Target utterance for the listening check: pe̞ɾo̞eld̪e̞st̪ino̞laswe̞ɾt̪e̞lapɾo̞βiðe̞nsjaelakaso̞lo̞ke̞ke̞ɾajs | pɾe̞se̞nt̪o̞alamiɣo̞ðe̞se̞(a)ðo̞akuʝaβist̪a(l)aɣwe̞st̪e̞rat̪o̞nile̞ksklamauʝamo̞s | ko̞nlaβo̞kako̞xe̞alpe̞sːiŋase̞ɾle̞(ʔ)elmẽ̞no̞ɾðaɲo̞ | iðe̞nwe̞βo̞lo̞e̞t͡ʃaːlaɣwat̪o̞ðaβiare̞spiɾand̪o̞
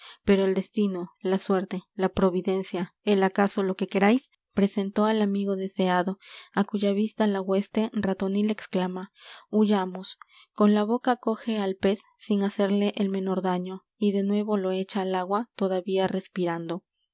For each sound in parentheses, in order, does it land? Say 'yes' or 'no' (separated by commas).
yes, yes, yes